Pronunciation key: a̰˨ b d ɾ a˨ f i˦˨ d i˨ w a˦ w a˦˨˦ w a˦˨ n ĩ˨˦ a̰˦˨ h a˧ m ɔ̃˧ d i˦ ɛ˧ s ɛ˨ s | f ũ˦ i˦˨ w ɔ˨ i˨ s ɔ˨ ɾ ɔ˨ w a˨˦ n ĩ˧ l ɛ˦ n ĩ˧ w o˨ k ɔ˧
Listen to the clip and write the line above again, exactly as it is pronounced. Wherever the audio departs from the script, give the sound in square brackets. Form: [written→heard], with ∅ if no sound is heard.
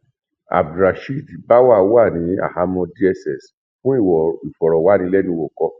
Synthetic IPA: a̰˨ b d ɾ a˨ [f→ʃ] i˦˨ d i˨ [w→b] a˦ w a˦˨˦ w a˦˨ n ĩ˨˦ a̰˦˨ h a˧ m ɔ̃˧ d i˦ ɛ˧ s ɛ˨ s | f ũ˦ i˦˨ w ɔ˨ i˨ [s→f] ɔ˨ ɾ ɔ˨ w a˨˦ n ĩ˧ l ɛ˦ n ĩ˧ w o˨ k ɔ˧

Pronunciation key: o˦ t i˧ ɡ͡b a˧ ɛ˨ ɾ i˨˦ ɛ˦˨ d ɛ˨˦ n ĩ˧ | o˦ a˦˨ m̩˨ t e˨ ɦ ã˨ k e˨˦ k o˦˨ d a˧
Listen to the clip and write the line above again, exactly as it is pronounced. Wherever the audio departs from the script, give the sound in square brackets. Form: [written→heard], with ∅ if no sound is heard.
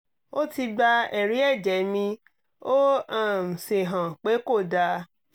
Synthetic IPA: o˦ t i˧ ɡ͡b a˧ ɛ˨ ɾ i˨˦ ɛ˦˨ [d→d͡ʒ] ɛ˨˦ [n→m] ĩ˧ | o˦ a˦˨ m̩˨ [t→s] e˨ ɦ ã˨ [k→k͡p] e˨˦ k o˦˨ d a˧

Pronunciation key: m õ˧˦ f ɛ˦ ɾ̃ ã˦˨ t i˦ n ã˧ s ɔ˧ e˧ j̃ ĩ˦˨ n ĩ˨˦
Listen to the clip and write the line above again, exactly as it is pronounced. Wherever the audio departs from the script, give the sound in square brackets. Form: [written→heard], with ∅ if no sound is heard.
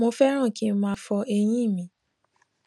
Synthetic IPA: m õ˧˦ f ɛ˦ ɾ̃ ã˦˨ [t→k] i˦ [n→m] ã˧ [s→f] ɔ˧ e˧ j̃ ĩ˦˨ [n→m] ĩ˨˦

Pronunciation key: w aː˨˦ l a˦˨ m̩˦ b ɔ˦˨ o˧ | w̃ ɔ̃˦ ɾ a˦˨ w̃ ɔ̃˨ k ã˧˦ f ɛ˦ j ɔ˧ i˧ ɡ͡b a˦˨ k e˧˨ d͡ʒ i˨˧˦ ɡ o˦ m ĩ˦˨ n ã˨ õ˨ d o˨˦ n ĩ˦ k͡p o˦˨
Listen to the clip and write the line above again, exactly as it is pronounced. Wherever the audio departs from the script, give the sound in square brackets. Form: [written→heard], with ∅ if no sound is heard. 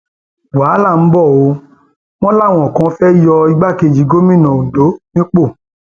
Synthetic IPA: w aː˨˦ l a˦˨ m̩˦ b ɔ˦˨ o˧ | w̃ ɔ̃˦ [ɾ→l] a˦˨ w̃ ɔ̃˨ k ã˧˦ f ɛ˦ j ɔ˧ i˧ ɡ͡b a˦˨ k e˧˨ d͡ʒ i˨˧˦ ɡ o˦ m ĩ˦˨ n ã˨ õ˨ d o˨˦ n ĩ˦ k͡p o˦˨

